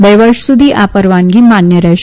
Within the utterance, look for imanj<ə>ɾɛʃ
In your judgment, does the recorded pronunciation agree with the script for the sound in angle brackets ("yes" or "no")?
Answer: yes